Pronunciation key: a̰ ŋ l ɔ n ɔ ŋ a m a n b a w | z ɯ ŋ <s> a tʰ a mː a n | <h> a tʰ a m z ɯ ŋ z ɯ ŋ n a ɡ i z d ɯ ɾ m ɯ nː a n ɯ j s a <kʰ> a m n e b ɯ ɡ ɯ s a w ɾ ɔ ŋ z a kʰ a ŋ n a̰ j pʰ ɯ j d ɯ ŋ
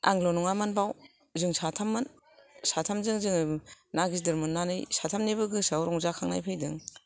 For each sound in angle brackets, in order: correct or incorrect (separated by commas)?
correct, incorrect, incorrect